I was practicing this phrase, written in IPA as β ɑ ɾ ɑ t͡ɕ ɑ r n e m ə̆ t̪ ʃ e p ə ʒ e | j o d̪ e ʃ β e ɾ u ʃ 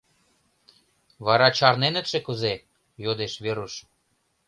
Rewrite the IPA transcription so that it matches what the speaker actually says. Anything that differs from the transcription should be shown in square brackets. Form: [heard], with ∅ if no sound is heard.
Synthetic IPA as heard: β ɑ ɾ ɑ t͡ɕ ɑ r n e [n] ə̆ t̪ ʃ e [k] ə [z] e | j o d̪ e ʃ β e ɾ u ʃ